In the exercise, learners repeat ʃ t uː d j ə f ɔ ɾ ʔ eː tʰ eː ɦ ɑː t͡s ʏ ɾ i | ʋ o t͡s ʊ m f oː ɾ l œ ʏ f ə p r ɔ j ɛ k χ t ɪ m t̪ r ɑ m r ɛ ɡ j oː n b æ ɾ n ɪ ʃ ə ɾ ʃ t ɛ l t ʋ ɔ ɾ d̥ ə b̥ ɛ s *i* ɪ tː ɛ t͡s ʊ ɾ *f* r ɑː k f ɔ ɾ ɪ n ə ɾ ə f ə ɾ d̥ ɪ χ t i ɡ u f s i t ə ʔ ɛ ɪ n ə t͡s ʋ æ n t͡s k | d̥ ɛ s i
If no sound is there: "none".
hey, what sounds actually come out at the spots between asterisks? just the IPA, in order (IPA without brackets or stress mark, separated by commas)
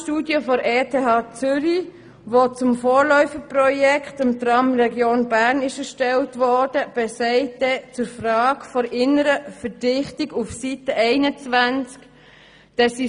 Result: ɛ, f